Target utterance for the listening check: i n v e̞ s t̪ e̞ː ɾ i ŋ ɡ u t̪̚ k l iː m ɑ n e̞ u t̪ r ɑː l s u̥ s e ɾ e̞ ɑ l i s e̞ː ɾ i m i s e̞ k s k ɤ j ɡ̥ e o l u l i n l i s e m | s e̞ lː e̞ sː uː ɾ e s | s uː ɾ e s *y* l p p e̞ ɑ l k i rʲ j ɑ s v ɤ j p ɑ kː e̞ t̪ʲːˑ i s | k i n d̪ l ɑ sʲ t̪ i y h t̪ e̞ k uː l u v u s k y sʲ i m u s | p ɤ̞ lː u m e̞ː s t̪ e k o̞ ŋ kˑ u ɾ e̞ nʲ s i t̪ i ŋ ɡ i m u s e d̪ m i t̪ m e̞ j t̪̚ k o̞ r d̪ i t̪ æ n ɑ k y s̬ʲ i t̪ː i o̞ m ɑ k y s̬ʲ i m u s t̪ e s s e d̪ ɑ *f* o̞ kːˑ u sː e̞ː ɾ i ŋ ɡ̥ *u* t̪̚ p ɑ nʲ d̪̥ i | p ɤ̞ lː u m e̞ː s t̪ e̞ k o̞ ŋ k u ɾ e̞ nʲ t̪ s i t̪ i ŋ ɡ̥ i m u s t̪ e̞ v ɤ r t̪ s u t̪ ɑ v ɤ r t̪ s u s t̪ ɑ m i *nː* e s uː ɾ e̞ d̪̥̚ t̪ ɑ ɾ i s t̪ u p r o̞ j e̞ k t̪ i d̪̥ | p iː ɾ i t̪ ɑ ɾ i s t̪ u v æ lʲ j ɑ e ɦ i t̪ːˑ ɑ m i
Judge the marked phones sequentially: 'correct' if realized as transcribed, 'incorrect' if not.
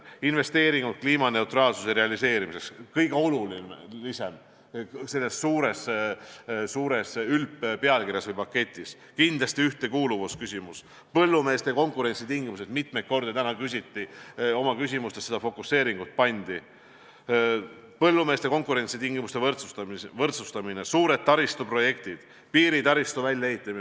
correct, correct, correct, incorrect: n

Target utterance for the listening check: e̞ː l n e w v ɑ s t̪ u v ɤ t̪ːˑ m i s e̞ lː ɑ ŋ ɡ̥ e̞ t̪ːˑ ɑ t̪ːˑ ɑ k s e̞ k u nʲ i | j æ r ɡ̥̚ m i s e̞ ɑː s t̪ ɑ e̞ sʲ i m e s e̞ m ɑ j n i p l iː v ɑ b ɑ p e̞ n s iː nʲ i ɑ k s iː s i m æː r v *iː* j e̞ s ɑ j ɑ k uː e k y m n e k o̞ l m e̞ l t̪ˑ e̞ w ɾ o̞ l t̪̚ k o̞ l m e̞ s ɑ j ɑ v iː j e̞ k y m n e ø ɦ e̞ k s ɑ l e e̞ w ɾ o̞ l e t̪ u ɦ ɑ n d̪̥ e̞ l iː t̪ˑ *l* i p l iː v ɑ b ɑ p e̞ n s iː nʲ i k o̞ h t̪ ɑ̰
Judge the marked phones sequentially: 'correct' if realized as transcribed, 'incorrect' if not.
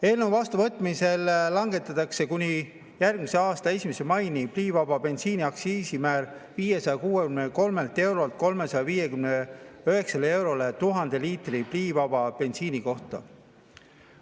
correct, incorrect: r

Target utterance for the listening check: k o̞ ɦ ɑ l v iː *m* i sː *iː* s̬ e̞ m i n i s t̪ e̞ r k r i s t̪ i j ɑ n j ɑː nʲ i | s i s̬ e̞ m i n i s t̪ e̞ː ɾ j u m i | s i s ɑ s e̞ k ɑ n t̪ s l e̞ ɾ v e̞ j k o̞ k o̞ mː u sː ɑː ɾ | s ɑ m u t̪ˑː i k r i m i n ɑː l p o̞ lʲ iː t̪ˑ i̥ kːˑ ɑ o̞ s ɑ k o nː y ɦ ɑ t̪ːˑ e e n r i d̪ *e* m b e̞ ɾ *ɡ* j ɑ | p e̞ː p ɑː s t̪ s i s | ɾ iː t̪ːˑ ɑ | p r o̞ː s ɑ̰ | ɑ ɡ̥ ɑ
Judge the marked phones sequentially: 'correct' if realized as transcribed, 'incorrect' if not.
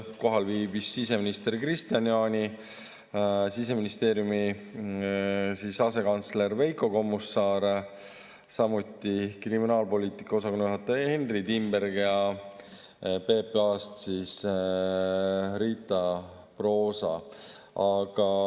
incorrect: b, incorrect: i, incorrect: i, correct

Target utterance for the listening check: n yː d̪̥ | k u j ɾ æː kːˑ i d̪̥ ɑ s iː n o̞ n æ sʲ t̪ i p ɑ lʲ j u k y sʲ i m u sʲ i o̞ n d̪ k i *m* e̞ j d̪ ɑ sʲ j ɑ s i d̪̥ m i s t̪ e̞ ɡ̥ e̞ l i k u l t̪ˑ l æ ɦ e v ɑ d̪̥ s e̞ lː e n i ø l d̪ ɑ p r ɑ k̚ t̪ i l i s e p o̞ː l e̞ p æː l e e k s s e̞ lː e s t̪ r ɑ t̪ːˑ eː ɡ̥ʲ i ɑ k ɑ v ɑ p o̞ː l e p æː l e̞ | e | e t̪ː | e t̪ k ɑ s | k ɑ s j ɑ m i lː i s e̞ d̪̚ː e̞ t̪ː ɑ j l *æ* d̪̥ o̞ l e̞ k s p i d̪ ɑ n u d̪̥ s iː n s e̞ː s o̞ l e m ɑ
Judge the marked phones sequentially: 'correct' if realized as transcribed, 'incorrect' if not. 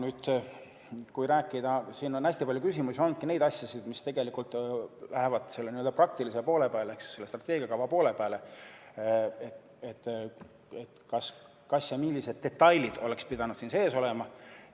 incorrect: n, incorrect: i

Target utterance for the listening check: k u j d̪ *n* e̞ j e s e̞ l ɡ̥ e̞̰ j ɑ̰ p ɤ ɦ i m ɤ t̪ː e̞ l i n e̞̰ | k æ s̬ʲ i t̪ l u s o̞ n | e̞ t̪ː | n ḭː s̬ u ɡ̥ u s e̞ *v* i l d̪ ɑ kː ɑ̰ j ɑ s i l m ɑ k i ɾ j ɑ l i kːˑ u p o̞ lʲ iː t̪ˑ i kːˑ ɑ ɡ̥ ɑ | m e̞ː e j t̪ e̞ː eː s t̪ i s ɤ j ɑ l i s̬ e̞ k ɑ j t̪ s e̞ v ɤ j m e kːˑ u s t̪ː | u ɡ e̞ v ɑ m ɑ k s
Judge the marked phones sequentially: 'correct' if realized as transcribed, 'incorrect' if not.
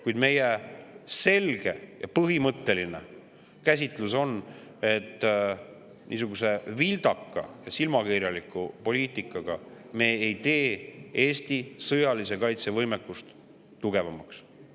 incorrect: m, correct

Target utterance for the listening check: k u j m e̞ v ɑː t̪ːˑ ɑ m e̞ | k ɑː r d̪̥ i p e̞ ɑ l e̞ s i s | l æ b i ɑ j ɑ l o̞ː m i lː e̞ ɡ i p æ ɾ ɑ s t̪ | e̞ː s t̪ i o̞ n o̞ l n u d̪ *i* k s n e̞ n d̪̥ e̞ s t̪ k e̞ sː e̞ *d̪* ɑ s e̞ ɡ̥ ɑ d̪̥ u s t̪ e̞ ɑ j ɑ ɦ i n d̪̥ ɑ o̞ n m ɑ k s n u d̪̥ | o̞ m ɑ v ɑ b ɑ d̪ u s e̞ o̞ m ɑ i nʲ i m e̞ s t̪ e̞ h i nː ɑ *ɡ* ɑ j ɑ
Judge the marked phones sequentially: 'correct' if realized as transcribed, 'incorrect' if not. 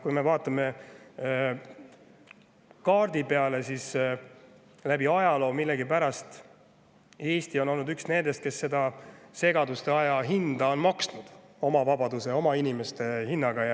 incorrect: y, correct, correct

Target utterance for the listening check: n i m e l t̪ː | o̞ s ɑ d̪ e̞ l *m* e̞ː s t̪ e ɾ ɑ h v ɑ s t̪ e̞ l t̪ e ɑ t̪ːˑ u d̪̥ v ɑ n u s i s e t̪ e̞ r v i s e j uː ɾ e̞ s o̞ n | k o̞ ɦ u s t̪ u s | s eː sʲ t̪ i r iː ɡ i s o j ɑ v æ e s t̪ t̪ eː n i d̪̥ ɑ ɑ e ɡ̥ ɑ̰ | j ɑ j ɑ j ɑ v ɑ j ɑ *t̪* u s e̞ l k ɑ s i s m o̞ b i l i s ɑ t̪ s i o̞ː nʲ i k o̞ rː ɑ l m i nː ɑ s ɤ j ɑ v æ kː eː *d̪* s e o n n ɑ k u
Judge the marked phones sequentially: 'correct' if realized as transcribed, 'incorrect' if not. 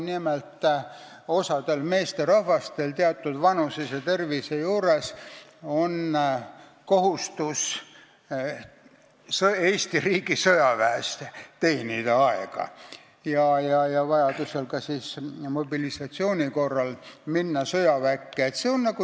correct, incorrect: d̪, incorrect: t̪

